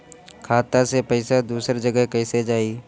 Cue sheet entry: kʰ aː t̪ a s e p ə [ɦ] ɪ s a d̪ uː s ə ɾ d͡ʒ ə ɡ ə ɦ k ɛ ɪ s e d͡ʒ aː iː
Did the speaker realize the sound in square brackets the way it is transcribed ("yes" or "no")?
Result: no